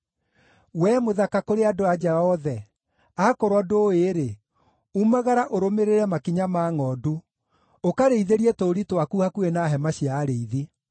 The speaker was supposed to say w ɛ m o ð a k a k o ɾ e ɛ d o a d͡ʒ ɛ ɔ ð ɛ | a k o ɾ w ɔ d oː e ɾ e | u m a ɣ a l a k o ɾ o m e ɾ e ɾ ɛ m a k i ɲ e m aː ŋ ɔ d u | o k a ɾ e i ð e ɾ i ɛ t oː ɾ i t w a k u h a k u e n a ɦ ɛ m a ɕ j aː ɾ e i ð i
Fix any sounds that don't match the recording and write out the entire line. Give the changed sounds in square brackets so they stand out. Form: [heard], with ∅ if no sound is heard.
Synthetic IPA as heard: w ɛ m o ð a k a k o ɾ e [a] d o a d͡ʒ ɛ ɔ ð ɛ | a k o ɾ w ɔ d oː e ɾ e | u m a ɣ a [ɾ] a [ʔ] o ɾ o m e ɾ e ɾ ɛ m a k i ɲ [a] m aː ŋ ɔ d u | o k a ɾ e i ð e ɾ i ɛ t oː ɾ i t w a k u h a k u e n a ɦ ɛ m a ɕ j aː ɾ e i ð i